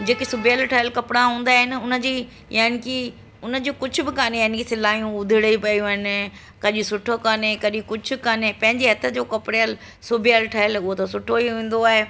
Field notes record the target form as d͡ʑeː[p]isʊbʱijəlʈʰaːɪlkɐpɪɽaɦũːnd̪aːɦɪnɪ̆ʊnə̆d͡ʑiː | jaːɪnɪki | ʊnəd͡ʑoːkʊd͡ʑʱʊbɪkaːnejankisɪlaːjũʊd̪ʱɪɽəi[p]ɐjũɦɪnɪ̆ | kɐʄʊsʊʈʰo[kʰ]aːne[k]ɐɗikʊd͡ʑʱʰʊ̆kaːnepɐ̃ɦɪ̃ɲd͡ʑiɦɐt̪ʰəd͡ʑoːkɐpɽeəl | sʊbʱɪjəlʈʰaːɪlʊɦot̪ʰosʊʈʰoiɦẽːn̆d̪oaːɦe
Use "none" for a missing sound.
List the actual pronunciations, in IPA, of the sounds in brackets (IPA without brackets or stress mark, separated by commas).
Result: k, p, k, k